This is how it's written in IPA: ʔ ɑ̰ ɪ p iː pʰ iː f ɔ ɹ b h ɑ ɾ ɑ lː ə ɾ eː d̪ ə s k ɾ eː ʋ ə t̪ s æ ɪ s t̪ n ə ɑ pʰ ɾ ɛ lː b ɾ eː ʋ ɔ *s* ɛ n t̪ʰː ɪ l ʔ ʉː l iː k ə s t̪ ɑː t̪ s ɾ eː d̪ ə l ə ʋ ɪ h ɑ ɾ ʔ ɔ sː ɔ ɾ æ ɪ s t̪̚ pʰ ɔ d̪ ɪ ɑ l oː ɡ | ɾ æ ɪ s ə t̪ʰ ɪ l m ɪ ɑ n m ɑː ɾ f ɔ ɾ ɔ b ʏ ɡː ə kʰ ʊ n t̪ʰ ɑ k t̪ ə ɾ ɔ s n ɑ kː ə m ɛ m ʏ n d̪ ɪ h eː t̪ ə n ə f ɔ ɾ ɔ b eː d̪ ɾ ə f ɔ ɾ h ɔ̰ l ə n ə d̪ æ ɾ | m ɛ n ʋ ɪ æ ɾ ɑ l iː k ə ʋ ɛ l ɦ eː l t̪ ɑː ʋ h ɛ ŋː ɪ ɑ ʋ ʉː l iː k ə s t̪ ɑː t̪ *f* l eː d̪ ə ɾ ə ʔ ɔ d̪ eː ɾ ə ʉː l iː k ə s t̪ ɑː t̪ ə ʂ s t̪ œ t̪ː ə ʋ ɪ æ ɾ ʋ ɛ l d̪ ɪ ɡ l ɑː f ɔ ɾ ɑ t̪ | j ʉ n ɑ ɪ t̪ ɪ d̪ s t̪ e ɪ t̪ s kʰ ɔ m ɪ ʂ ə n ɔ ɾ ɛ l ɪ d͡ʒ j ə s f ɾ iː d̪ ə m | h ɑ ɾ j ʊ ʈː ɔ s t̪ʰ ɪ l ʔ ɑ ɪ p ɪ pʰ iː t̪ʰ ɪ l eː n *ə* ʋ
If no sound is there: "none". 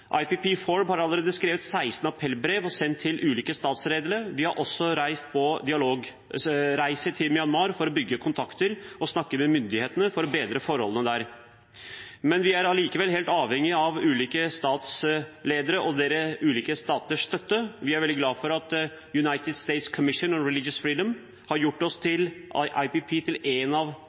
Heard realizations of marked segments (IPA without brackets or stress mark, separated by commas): s, s, ɑ